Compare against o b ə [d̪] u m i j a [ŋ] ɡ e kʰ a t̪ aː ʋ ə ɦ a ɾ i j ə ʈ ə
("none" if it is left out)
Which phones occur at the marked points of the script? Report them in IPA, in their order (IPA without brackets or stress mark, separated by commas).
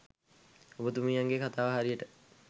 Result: t̪, ŋ